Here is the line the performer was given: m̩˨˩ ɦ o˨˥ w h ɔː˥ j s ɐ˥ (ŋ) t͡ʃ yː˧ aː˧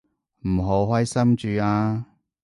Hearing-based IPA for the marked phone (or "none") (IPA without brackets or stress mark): m